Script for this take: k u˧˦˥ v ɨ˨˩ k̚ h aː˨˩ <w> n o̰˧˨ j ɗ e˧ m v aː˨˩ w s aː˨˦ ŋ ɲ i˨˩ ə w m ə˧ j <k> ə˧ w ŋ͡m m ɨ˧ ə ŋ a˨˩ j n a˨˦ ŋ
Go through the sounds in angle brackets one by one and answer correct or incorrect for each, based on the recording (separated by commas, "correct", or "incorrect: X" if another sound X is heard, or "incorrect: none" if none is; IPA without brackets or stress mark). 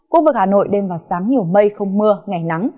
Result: incorrect: none, incorrect: x